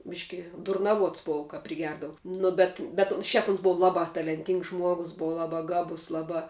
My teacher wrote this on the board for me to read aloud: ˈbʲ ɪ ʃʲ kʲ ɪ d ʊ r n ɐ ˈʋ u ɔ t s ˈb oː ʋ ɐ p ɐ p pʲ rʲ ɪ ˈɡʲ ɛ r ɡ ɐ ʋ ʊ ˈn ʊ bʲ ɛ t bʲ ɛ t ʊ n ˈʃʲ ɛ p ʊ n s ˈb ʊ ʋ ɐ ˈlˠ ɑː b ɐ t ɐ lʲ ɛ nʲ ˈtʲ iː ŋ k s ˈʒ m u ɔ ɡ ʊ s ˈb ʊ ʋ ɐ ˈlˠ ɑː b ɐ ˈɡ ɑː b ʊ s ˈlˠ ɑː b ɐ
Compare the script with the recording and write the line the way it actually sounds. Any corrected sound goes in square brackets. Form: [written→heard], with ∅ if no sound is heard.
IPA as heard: ˈbʲ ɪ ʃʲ kʲ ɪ d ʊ r n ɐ ˈʋ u ɔ t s ˈb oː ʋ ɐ [p→k] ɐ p pʲ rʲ ɪ ˈɡʲ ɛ r [ɡ→d] ɐ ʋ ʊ ˈn ʊ bʲ ɛ t bʲ ɛ t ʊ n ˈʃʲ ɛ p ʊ n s ˈb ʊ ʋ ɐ ˈlˠ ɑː b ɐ t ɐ lʲ ɛ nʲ ˈtʲ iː ŋ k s ˈʒ m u ɔ ɡ ʊ s ˈb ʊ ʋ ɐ ˈlˠ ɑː b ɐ ˈɡ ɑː b ʊ s ˈlˠ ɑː b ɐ